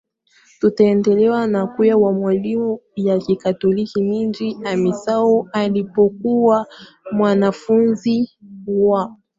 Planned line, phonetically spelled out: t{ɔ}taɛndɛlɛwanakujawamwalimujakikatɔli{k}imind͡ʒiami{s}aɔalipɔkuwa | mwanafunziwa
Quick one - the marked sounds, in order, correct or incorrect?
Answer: incorrect, correct, correct

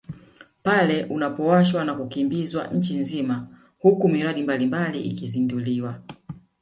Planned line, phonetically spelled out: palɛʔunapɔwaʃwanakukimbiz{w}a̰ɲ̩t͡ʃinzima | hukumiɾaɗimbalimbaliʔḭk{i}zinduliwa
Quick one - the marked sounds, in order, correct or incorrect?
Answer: correct, correct

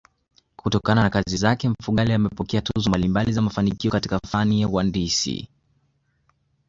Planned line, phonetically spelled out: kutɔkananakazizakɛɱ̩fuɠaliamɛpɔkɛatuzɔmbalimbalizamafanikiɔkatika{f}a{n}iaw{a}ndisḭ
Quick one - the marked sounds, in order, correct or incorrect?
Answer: correct, correct, correct

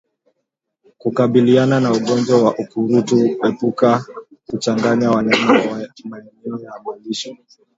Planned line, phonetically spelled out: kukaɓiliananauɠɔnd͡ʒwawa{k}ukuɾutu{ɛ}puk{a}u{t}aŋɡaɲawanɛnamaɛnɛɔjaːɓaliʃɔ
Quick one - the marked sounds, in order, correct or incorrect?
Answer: incorrect, correct, correct, incorrect

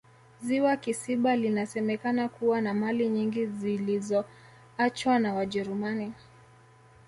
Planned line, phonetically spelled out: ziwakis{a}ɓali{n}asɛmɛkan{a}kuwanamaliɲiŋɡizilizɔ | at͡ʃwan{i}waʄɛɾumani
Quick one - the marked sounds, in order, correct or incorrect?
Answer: incorrect, correct, correct, incorrect

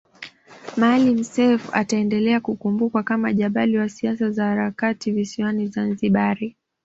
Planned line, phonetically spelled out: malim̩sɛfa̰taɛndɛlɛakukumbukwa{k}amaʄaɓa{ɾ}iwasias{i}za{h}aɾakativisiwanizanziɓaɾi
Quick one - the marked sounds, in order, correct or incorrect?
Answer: correct, incorrect, incorrect, correct

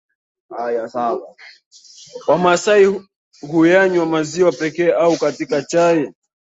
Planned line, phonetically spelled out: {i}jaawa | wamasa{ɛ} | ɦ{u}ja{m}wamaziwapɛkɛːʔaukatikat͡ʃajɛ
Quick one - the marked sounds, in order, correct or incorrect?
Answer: incorrect, incorrect, correct, incorrect

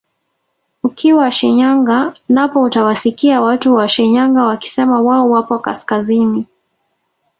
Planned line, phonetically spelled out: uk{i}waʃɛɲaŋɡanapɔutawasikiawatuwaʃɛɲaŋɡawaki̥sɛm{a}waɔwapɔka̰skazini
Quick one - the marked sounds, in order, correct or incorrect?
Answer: correct, correct

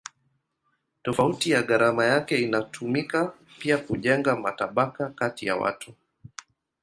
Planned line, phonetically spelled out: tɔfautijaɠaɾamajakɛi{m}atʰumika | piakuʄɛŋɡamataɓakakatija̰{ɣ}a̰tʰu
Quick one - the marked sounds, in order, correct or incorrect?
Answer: incorrect, incorrect

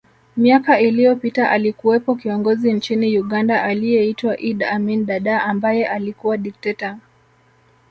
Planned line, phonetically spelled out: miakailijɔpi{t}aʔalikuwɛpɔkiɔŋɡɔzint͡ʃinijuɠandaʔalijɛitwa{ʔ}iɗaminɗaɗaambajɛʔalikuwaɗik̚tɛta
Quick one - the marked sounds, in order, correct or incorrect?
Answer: correct, correct

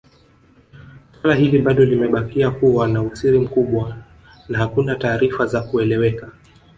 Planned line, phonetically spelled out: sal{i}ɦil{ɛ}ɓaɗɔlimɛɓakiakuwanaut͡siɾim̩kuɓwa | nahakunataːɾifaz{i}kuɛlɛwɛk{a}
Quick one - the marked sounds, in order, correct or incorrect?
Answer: incorrect, incorrect, incorrect, correct

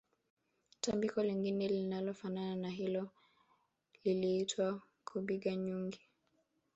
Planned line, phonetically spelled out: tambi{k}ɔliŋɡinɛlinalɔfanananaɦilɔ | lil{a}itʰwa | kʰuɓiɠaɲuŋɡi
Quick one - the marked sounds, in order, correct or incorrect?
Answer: correct, incorrect

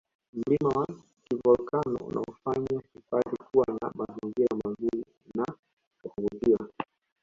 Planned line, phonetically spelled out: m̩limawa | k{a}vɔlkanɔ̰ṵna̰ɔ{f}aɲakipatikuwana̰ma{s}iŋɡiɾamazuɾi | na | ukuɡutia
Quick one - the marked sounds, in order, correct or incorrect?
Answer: incorrect, correct, incorrect

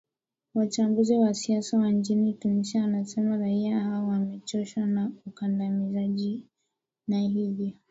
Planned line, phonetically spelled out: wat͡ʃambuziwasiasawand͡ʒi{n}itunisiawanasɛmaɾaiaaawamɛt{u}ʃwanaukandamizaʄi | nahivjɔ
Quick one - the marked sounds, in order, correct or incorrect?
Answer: correct, incorrect

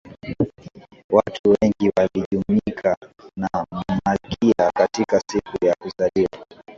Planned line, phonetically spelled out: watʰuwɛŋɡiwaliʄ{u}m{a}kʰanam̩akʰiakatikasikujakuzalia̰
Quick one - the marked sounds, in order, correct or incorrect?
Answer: correct, incorrect

